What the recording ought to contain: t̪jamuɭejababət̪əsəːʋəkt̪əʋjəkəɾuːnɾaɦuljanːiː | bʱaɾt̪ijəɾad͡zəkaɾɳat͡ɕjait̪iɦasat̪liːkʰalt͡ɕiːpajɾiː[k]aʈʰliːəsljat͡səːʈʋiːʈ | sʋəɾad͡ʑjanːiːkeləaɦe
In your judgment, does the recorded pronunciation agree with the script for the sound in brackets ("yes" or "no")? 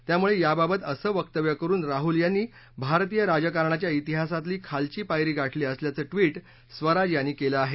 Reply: no